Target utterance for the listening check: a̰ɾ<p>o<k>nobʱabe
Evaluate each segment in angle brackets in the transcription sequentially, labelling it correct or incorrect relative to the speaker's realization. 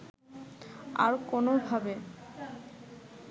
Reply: incorrect: k, incorrect: none

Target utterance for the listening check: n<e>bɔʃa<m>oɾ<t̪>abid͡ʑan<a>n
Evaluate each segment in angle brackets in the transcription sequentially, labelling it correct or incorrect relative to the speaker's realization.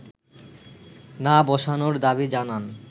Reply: incorrect: a, incorrect: n, incorrect: d̪, correct

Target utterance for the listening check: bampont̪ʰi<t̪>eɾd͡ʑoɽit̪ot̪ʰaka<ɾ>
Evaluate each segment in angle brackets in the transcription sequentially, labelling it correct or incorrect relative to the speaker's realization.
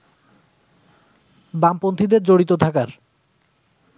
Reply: incorrect: d̪, correct

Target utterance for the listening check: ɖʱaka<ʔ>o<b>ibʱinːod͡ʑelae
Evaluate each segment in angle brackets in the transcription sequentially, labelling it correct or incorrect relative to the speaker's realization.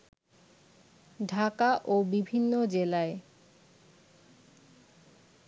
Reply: correct, correct

